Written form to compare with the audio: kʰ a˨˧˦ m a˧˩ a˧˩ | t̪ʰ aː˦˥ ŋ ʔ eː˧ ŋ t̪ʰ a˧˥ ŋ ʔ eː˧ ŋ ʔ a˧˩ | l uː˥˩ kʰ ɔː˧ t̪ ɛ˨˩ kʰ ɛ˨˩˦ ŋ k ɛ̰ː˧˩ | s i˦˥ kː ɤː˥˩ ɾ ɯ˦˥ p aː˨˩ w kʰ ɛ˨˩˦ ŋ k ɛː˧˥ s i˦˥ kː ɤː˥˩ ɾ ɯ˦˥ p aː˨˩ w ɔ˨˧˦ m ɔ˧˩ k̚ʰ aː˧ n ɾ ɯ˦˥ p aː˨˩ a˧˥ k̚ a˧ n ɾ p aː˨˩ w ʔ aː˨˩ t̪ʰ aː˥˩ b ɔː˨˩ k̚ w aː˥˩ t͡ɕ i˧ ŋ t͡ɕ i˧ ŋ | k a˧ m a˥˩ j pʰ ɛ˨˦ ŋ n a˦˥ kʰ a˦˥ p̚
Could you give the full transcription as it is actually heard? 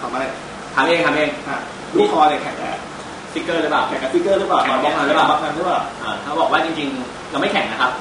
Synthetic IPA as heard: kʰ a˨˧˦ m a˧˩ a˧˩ | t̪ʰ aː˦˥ ŋ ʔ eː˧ ŋ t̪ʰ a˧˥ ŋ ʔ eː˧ ŋ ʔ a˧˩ | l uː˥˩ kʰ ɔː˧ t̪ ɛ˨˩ kʰ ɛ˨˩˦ ŋ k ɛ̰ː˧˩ | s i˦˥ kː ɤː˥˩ ɾ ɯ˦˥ p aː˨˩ w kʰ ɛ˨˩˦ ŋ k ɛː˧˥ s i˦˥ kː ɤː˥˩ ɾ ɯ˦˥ p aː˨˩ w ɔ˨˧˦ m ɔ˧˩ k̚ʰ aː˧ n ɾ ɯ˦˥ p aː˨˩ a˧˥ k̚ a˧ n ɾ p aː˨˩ w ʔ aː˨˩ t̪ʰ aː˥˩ b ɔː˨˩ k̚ w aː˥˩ t͡ɕ i˧ ŋ t͡ɕ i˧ ŋ | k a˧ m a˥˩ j kʰ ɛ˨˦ ŋ n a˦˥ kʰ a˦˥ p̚